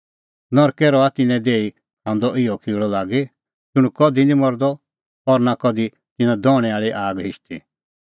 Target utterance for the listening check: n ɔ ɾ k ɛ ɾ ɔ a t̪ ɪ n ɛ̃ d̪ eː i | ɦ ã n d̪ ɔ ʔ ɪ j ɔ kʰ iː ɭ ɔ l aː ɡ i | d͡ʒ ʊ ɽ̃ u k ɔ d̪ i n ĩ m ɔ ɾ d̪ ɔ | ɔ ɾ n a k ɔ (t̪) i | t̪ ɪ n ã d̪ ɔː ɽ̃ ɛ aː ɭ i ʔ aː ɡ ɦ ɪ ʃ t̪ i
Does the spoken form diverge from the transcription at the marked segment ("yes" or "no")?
yes